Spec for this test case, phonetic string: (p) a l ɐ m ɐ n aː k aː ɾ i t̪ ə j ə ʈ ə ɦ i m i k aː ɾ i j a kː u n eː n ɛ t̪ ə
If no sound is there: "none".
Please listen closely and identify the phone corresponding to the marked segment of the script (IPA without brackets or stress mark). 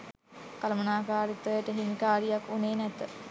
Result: k